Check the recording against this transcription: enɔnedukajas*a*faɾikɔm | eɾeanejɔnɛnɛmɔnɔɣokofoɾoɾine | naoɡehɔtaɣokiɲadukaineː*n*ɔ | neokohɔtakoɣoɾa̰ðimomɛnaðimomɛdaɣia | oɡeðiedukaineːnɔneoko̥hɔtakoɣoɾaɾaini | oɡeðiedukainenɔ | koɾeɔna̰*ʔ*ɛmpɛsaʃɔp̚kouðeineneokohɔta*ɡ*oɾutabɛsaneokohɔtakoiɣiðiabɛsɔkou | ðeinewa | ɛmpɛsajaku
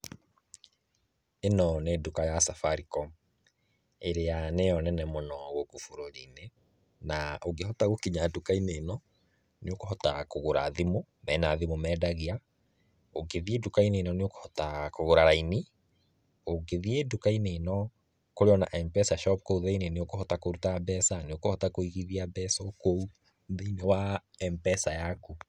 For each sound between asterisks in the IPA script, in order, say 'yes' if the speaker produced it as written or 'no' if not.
yes, yes, yes, no

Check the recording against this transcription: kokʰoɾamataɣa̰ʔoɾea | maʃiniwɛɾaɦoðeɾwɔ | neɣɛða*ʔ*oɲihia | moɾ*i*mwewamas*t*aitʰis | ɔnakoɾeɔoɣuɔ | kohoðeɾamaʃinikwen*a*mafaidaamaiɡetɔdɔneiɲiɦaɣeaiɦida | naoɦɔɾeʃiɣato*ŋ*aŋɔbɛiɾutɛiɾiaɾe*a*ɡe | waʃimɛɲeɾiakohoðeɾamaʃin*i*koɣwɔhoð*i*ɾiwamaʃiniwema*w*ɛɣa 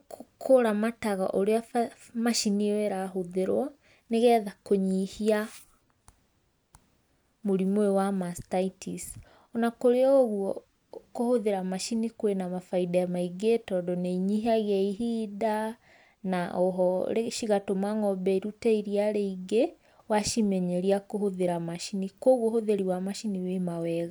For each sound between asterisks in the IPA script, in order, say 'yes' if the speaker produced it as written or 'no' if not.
no, yes, yes, yes, no, no, yes, no, yes

